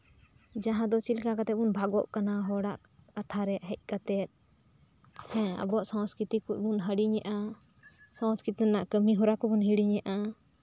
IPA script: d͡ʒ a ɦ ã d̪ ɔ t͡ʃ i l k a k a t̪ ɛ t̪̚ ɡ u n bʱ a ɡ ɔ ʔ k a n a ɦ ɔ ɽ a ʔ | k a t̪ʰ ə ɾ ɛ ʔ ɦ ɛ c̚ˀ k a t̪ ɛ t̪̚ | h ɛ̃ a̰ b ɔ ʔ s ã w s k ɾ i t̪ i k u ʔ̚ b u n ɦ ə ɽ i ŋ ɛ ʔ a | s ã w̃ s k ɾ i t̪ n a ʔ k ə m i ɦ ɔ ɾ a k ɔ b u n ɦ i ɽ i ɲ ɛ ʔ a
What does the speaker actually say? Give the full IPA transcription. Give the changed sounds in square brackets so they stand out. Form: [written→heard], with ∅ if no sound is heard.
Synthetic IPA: d͡ʒ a ɦ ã d̪ ɔ t͡ʃ i l k a k a t̪ ɛ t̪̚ [ɡ→b] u n bʱ a ɡ ɔ ʔ k a n a ɦ ɔ ɽ a ʔ | k a t̪ʰ [ə→a] ɾ ɛ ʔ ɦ ɛ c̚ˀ k a t̪ ɛ t̪̚ | h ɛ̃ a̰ b ɔ ʔ s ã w s k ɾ i t̪ i k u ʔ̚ b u n ɦ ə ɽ i [ŋ→ɲ] ɛ ʔ a | s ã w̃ s k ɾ i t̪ n a ʔ k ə m i ɦ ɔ ɾ a k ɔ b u n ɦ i ɽ i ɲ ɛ ʔ a

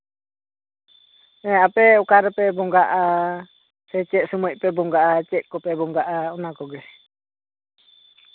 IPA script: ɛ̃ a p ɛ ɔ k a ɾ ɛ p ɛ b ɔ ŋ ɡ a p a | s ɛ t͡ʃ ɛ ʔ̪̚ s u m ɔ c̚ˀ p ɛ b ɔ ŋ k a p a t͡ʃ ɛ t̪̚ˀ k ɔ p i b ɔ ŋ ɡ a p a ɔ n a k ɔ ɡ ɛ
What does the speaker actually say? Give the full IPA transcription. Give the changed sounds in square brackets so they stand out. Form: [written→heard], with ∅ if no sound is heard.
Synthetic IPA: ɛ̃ a p ɛ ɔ k a ɾ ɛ p ɛ b ɔ ŋ ɡ a [p→ʔ] a | s ɛ t͡ʃ ɛ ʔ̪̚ s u m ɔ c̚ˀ p ɛ b ɔ ŋ [k→ɡ] a [p→ʔ] a t͡ʃ ɛ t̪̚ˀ k ɔ p [i→ɛ] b ɔ ŋ ɡ a [p→ʔ] a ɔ n a k ɔ ɡ ɛ

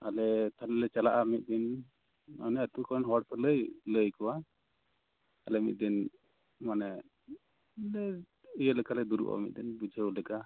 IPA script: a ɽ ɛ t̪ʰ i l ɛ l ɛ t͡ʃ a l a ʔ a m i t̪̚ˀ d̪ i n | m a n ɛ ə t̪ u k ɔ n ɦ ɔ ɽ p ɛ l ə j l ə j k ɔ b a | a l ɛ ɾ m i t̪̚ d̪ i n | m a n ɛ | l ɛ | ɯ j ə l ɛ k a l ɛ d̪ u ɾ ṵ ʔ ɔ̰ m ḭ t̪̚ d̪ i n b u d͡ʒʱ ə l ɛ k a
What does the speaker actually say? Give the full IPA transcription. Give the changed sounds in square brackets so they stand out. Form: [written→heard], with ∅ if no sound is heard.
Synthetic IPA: a [ɽ→l] ɛ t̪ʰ [i→a] l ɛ l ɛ t͡ʃ a l a ʔ a m i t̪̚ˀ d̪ i n | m a n ɛ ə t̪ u k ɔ n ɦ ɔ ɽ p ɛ l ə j l ə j k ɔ [b→w] a | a l ɛ [ɾ→∅] m i t̪̚ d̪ i n | m a n ɛ | l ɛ | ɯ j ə l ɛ k a l ɛ d̪ u ɾ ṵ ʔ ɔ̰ m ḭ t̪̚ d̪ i n b u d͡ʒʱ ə l ɛ k a

